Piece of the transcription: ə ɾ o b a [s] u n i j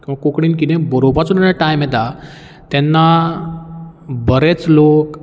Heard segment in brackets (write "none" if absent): t͡s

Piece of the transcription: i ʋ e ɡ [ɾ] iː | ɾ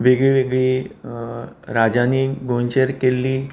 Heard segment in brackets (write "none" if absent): ɭ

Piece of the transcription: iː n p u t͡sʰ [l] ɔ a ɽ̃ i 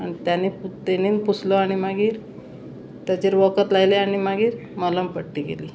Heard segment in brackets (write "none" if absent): l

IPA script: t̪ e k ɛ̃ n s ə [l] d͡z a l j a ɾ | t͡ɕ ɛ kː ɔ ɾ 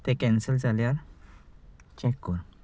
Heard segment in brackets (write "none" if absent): l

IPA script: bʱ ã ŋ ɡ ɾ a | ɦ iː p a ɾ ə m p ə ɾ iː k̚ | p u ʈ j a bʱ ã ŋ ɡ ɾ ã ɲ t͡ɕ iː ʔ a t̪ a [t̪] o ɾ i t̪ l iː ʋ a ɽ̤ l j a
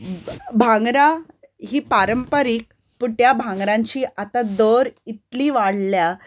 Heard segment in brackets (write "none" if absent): d̪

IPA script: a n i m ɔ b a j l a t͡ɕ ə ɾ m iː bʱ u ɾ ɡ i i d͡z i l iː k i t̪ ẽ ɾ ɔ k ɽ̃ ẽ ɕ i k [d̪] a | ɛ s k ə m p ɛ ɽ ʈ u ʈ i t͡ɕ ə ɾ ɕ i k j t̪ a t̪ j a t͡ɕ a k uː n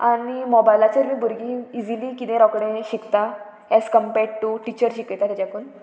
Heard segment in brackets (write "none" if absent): t̪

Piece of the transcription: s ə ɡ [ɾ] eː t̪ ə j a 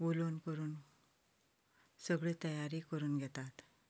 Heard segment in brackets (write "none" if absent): ɭ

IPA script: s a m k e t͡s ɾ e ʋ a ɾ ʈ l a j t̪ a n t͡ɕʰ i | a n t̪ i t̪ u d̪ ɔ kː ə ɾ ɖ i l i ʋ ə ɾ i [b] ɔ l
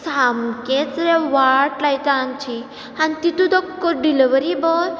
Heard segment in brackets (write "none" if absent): b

